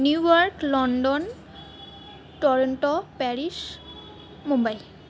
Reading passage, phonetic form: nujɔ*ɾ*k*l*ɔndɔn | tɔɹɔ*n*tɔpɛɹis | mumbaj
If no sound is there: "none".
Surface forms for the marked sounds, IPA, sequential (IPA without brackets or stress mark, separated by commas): ɹ, l, n